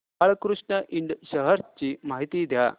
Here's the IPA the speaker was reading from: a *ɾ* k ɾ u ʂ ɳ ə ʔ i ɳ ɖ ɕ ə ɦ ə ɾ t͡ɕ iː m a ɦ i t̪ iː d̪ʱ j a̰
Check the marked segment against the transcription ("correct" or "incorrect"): incorrect